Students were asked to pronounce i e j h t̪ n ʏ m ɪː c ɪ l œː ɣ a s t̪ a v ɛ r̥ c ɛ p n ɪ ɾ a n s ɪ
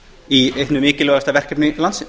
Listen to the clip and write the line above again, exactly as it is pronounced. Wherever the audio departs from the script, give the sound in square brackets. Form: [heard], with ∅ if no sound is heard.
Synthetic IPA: i e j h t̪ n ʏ m ɪː c ɪ l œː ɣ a s t̪ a v ɛ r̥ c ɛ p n ɪ [l] a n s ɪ